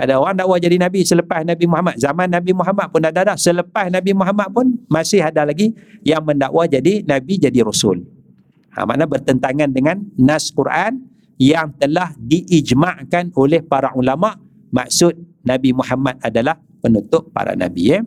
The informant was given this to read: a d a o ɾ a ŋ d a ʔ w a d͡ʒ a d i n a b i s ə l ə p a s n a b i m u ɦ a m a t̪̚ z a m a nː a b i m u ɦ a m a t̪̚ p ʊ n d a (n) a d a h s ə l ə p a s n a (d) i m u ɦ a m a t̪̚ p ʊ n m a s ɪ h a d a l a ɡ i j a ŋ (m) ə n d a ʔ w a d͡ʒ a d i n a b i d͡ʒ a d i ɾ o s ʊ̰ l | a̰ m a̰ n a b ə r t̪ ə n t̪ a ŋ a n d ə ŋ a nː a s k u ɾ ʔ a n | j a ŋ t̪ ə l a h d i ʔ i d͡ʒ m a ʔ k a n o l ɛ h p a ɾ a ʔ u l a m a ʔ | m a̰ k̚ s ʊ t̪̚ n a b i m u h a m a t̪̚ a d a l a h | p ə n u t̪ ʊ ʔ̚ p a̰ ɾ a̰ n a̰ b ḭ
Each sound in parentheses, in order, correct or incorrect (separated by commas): incorrect, incorrect, correct